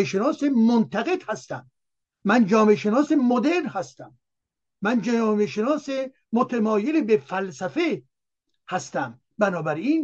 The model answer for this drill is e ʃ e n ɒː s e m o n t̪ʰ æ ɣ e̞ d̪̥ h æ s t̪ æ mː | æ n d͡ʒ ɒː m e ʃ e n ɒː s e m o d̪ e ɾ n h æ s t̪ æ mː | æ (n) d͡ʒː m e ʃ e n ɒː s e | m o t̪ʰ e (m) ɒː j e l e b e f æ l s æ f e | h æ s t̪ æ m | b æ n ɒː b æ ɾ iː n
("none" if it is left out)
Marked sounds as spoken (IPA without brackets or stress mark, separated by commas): n, m